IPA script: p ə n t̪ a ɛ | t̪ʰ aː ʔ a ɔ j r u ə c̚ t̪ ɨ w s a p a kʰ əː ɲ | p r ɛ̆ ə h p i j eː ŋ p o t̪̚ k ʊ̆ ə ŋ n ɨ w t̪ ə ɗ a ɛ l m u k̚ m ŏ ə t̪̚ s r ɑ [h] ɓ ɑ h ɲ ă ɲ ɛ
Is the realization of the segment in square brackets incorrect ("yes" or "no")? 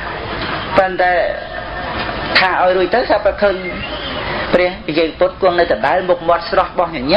no